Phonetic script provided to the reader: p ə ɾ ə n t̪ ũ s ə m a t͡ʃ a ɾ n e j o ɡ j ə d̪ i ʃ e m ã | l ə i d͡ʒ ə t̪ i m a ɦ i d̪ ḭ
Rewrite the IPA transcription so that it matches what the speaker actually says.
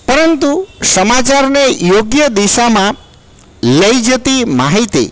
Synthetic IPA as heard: p ə ɾ ə n t̪ u s ə m a t͡ʃ a ɾ n e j o ɡ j ə d̪ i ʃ a m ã | l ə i d͡ʒ ə t̪ i m a ɦ i t̪ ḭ